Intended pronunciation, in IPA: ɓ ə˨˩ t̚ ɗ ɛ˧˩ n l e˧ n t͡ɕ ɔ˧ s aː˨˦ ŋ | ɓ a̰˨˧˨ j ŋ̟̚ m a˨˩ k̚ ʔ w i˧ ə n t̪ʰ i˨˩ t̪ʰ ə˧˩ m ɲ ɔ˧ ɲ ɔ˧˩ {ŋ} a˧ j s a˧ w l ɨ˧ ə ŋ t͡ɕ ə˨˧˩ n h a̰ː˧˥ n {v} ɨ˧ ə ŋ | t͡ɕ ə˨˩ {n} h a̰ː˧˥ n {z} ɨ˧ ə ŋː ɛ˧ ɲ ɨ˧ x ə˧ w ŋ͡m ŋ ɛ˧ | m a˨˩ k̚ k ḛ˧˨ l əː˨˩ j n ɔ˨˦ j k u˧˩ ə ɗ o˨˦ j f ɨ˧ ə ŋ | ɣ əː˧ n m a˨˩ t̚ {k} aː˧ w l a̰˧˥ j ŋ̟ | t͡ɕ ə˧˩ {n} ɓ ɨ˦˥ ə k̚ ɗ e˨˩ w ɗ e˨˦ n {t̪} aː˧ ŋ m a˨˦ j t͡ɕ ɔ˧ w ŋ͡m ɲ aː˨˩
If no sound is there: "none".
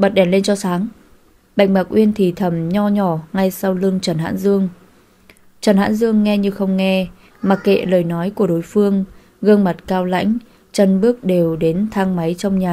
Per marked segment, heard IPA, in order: ŋ, z, n, z, k, n, t̪ʰ

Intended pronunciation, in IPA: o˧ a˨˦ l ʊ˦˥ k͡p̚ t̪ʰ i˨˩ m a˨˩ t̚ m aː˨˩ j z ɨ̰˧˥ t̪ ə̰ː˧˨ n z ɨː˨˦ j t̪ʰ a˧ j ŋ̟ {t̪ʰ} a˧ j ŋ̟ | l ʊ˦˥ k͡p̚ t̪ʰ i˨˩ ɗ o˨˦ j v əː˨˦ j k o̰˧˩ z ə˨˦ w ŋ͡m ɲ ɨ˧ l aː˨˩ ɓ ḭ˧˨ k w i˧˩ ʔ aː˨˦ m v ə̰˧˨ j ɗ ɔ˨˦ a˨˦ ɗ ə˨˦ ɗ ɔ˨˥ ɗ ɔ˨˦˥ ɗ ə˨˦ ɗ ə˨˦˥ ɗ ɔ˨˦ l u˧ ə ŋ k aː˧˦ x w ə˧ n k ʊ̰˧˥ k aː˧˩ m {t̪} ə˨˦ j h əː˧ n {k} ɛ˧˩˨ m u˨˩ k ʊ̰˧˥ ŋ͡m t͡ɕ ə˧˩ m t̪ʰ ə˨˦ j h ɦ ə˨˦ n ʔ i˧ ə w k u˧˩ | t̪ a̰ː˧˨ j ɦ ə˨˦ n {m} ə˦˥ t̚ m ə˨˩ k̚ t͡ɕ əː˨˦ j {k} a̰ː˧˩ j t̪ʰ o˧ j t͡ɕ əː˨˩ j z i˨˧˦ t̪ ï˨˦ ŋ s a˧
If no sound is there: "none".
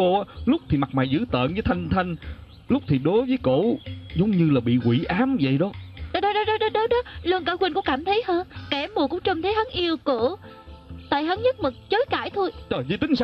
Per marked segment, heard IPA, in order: t̪ʰ, t̪ʰ, k, ɲ, k

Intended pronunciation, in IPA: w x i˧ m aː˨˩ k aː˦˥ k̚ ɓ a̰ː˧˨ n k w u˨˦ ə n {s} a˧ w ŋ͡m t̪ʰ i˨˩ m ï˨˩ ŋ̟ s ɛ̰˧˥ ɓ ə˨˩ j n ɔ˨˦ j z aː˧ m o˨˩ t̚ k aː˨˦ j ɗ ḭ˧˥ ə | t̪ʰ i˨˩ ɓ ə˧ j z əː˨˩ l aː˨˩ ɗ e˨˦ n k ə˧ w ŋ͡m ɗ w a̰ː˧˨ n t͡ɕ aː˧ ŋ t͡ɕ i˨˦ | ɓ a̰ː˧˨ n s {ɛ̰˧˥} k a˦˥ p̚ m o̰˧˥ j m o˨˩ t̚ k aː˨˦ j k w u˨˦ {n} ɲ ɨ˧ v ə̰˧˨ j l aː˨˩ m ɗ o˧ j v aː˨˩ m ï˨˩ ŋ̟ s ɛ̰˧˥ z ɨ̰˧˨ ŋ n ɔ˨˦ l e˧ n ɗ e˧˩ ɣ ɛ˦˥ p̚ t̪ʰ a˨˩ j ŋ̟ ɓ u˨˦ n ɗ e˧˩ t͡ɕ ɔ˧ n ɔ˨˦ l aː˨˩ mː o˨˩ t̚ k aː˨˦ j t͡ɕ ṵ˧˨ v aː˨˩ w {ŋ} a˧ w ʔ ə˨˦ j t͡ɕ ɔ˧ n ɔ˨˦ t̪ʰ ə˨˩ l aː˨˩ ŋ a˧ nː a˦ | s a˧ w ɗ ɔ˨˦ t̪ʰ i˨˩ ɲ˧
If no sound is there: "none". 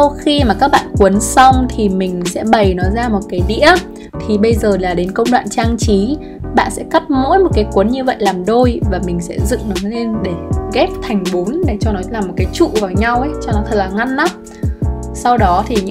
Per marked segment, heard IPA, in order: s, ɛ̰˧˥, n, ɲ

